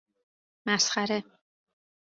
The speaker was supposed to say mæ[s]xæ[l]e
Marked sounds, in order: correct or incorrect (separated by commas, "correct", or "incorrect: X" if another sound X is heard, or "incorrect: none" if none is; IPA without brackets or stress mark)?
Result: correct, incorrect: ɾ